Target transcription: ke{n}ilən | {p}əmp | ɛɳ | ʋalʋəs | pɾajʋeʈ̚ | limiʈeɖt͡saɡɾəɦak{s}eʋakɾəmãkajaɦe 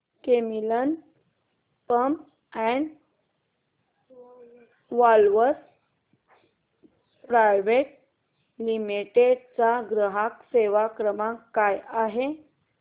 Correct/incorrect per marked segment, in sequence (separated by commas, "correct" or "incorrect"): incorrect, correct, correct